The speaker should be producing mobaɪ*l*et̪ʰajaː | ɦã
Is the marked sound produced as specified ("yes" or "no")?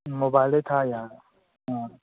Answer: yes